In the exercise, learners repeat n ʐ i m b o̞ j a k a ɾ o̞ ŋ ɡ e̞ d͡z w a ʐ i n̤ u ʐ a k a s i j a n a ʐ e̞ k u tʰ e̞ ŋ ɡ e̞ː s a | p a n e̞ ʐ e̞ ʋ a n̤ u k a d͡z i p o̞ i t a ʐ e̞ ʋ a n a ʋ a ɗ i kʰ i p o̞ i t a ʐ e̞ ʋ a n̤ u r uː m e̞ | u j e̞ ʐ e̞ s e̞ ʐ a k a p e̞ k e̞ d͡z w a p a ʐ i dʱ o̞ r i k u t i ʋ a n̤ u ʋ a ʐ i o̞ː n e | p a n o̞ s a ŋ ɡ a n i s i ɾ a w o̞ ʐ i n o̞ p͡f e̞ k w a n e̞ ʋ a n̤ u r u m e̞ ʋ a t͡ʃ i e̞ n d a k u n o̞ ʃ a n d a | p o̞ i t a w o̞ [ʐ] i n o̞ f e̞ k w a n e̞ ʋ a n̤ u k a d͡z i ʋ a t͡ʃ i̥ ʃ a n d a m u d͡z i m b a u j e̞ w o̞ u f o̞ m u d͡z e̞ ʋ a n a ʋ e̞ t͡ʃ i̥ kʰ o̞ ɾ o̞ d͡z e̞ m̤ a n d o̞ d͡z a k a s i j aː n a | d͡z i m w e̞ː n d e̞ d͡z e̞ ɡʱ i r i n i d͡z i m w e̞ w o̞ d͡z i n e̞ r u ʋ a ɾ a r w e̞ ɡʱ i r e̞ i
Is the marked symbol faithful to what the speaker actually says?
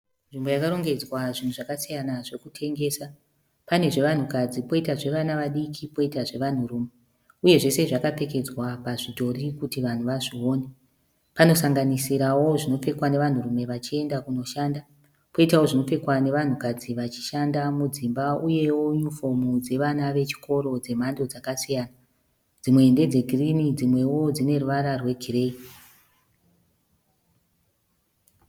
yes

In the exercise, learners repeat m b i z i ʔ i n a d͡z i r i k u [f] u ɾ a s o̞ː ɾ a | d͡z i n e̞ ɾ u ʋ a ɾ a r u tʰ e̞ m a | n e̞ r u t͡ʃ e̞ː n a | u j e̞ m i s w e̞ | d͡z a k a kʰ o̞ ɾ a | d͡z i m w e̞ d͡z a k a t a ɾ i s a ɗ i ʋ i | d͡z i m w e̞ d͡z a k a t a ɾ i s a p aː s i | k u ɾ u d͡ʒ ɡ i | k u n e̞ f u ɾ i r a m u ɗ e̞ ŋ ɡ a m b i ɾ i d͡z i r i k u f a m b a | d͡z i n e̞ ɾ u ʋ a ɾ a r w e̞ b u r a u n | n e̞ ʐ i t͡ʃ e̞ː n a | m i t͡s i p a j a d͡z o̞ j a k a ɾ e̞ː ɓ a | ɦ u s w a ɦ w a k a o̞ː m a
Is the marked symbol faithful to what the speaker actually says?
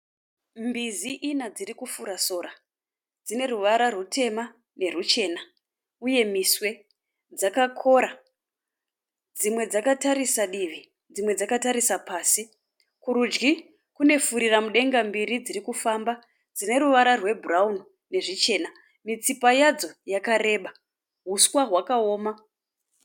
yes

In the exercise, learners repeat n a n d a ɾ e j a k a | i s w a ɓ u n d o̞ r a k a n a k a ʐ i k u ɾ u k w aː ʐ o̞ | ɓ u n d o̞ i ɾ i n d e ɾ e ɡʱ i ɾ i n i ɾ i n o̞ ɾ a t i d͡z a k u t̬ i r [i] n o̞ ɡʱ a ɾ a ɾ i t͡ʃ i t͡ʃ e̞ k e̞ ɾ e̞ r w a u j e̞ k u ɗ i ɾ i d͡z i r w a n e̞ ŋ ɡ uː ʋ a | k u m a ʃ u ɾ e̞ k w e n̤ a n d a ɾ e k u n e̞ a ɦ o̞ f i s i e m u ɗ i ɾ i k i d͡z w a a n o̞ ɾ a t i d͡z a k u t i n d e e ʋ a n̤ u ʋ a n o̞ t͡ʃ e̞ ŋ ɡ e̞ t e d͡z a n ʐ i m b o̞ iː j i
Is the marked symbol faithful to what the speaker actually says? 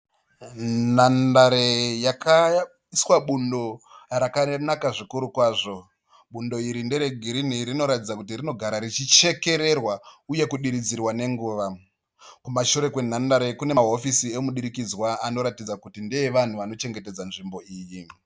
yes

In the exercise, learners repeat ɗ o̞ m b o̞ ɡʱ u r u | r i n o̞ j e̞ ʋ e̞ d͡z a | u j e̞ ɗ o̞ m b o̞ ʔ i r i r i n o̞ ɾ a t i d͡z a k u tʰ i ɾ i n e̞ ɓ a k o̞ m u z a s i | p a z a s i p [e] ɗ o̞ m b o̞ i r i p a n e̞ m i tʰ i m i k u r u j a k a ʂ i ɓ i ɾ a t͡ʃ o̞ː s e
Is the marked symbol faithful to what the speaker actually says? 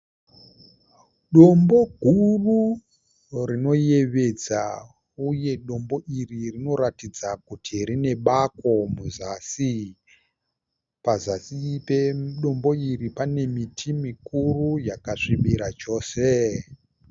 yes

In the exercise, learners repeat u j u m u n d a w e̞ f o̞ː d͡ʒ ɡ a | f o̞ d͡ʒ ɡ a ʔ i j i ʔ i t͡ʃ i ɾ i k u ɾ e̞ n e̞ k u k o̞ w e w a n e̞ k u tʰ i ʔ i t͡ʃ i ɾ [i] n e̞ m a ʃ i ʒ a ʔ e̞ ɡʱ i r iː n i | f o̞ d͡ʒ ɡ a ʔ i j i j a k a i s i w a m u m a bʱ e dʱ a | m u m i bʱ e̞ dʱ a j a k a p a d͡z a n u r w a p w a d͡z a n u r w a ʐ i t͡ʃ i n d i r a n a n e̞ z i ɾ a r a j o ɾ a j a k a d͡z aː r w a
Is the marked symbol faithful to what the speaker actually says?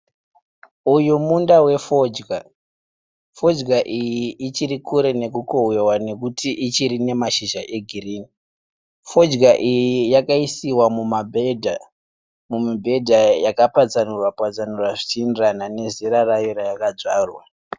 yes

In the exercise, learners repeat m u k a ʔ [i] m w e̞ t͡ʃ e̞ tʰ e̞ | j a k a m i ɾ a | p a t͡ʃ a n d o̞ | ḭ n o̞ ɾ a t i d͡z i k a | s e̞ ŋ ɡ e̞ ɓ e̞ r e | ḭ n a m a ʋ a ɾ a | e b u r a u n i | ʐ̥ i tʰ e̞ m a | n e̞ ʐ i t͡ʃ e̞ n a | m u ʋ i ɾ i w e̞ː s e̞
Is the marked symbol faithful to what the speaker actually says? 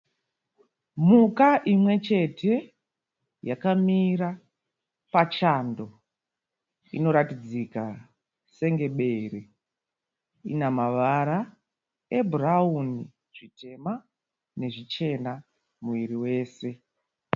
yes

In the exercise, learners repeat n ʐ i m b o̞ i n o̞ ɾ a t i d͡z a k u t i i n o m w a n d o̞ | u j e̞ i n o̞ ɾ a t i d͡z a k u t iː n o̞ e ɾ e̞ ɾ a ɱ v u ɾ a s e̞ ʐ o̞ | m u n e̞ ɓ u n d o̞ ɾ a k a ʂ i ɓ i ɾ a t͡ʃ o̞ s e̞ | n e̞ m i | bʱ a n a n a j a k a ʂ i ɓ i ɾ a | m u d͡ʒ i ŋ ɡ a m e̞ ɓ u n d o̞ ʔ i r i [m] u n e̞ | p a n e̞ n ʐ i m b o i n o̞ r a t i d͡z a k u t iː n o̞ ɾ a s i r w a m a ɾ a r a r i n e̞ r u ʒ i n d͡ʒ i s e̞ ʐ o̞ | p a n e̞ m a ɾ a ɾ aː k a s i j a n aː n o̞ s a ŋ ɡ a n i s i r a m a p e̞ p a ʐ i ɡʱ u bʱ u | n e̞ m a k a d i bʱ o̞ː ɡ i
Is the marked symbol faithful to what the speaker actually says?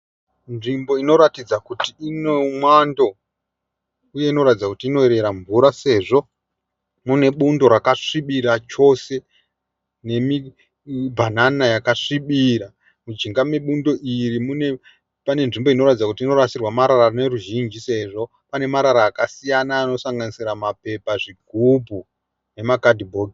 yes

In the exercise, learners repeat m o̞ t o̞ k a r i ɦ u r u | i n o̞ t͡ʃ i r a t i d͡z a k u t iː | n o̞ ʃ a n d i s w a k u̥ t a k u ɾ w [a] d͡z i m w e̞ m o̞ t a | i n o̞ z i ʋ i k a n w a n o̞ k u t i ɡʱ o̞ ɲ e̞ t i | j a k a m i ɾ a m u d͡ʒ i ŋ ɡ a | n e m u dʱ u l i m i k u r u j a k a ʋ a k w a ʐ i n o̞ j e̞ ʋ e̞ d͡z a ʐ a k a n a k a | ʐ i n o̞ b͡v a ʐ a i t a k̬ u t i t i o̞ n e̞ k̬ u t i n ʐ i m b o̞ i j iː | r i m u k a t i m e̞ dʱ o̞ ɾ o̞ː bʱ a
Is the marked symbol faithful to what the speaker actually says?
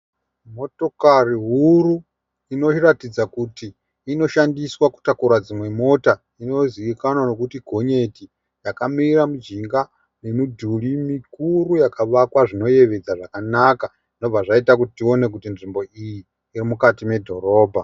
yes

